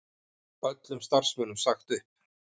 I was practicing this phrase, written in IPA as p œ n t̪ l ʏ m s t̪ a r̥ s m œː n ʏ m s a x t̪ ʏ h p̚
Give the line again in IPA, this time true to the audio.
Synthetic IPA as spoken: p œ t̪ l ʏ m s t̪ a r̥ s m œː n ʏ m s a x t̪ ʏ h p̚